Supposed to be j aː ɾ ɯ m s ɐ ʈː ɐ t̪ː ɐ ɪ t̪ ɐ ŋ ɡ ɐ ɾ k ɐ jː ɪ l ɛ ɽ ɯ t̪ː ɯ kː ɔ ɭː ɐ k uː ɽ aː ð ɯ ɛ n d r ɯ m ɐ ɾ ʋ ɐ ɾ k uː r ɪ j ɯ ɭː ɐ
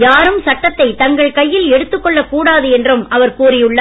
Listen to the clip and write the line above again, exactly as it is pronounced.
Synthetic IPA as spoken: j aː ɾ ɯ m s ɐ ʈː ɐ t̪ː ɐ ɪ t̪ ɐ ŋ ɡ ɐ ɭ k ɐ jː ɪ l ɛ ɽ ɯ t̪ː ɯ kː ɔ ɭː ɐ k uː ɽ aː ð ɯ ɛ n d r ɯ m ɐ ʋ ɐ ɾ k uː r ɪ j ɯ ɭː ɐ